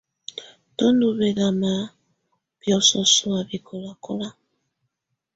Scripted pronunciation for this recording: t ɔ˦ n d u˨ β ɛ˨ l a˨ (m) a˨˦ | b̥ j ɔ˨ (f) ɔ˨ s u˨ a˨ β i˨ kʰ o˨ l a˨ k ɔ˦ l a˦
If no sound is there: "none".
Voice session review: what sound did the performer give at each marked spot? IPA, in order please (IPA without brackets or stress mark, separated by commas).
m, s